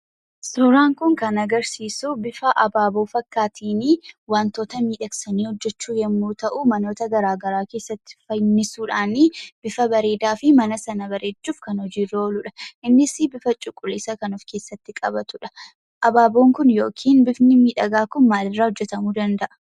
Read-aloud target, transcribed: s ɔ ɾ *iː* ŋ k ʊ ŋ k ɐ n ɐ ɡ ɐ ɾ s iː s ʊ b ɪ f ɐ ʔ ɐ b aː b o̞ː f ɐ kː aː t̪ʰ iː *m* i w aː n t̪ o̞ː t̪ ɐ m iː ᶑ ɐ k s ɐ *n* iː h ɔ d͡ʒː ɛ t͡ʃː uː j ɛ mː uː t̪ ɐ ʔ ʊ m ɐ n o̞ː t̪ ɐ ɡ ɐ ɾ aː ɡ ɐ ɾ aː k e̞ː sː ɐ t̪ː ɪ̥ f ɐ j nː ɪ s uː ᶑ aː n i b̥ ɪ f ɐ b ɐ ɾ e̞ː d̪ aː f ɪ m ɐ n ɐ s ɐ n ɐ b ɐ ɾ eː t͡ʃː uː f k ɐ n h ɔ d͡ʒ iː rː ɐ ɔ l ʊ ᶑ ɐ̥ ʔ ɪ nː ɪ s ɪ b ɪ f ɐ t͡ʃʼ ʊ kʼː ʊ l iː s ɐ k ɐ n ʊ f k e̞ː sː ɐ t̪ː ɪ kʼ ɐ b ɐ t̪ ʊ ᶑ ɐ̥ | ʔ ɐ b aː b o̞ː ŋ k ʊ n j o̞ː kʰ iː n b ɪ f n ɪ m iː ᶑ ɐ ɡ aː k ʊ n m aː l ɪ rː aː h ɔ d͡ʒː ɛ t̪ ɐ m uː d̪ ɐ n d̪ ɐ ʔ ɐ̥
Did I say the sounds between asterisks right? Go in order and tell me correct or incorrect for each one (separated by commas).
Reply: incorrect, incorrect, correct